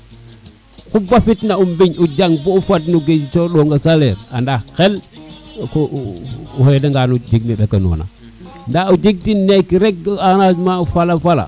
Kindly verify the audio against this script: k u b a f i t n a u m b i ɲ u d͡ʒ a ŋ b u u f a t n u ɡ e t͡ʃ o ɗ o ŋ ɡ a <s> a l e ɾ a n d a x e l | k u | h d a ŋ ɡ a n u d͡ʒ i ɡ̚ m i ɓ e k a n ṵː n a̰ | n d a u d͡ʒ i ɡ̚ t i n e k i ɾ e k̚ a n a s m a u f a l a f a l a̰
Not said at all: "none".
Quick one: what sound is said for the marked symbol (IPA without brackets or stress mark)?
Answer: s